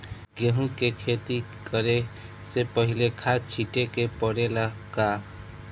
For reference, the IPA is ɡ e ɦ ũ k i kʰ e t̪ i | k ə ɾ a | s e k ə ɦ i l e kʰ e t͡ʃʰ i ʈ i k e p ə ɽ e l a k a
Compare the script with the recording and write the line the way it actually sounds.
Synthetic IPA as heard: ɡ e ɦ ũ k e kʰ e t̪ i | k ə ɾ e | s e p ə ɦ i l e kʰ a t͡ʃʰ i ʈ e k e p ə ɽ e l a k a